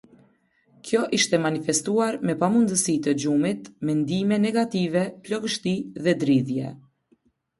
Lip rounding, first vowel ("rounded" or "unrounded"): rounded